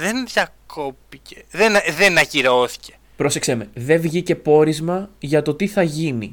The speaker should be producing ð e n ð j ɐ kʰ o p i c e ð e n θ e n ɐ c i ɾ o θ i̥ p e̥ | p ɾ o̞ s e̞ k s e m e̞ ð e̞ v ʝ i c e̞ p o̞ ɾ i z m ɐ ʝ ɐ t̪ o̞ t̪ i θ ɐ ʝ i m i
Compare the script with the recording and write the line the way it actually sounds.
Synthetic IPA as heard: ð e n ð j ɐ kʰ o p i c e ð e n ð e n ɐ c i ɾ o θ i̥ c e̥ | p ɾ o̞ s e̞ k s e m e̞ ð e̞ v ʝ i c e̞ p o̞ ɾ i z m ɐ ʝ ɐ t̪ o̞ t̪ i θ ɐ ʝ i n i